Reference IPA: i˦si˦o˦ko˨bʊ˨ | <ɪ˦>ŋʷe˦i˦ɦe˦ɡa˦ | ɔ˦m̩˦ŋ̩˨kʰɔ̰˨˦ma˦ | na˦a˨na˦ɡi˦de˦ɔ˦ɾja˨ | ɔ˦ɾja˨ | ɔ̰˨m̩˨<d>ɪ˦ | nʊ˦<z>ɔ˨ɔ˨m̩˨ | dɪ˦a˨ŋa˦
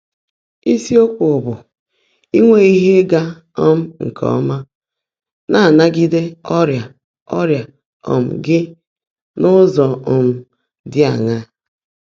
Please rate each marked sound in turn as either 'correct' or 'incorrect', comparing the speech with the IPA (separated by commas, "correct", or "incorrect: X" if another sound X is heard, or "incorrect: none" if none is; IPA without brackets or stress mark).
incorrect: i˦, incorrect: ɡ, correct